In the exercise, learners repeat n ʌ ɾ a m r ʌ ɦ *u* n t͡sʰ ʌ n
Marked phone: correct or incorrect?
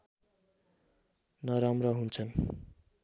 correct